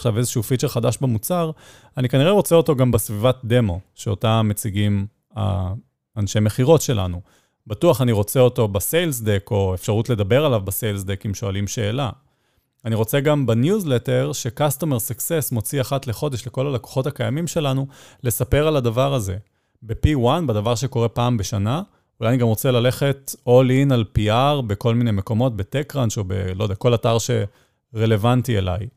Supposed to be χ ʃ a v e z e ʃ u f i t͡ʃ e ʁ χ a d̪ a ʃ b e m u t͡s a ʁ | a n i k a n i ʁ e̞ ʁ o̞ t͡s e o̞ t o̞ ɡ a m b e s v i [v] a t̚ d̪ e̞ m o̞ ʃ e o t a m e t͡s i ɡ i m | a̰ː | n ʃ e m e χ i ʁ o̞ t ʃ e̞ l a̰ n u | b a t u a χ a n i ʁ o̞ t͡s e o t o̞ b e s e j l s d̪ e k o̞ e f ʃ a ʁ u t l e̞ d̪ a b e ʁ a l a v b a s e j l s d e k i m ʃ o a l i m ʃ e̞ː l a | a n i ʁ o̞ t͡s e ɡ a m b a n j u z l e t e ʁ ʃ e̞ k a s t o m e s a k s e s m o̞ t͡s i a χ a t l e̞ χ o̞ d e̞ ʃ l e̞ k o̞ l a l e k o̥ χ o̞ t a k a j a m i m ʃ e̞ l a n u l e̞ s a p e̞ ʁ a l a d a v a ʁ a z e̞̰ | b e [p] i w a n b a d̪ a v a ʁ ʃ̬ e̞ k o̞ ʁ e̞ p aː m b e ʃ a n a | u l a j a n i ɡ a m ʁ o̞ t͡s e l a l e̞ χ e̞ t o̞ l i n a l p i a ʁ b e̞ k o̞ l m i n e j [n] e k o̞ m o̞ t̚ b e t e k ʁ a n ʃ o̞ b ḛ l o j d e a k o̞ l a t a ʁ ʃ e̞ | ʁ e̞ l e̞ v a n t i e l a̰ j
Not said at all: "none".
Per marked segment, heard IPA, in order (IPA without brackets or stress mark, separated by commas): v, p, m